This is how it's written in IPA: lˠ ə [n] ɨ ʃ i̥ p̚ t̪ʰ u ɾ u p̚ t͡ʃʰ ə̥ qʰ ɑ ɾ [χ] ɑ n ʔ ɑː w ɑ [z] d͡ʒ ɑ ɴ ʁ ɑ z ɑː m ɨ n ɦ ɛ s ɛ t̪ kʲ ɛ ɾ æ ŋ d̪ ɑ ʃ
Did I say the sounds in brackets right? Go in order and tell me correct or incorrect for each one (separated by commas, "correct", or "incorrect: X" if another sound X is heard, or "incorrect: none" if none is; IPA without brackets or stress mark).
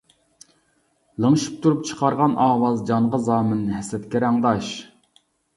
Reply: incorrect: ŋ, incorrect: ʁ, correct